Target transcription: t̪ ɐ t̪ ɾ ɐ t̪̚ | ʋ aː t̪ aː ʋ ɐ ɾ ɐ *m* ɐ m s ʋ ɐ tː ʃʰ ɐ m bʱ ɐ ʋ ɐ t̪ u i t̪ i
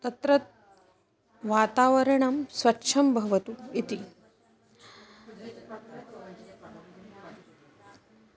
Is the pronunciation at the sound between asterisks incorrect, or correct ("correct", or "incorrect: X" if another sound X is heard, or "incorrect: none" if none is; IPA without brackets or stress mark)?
incorrect: ɳ